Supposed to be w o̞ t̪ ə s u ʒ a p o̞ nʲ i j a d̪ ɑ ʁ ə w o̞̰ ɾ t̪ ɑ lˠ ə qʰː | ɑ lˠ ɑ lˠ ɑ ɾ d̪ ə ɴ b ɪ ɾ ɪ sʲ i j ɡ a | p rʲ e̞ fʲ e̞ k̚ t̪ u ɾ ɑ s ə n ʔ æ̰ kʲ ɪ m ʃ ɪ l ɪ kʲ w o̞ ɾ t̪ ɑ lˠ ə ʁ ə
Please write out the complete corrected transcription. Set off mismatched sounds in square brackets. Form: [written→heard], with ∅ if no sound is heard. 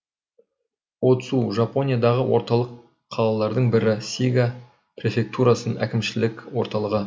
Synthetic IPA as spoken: w o̞ t̪ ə s u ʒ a p o̞ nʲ i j a d̪ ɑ ʁ ə w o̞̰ ɾ t̪ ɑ lˠ ə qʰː | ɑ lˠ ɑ lˠ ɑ ɾ d̪ ə ɴ b ɪ ɾ ɪ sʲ i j ɡ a | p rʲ e̞ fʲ e̞ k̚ t̪ u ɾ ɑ s ə n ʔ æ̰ kʲ ɪ m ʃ ɪ l ɪ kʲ w o̞ ɾ t̪ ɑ lˠ ə ʁ ə